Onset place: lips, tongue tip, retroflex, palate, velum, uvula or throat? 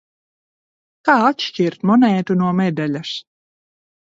velum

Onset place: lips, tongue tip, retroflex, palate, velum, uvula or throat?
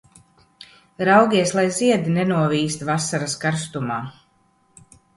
tongue tip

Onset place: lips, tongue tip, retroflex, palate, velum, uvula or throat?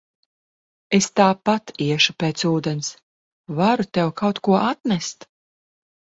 tongue tip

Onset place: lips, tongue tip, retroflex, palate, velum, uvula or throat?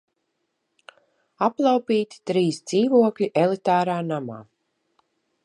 lips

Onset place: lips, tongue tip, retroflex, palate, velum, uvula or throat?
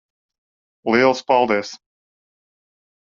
tongue tip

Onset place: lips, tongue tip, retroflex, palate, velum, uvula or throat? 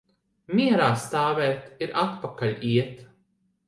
lips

